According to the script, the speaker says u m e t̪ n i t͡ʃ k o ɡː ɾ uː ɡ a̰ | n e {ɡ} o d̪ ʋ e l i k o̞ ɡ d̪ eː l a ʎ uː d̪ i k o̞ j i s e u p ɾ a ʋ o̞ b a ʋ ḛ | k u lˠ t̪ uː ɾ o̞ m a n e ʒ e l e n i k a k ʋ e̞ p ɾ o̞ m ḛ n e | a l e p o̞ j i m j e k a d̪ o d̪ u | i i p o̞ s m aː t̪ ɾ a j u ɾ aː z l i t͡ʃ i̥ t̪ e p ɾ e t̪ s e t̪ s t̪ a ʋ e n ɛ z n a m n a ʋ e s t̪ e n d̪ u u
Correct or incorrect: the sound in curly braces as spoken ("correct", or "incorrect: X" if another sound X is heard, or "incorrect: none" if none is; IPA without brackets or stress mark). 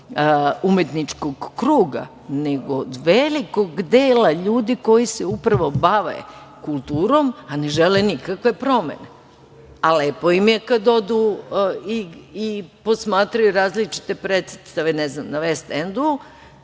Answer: correct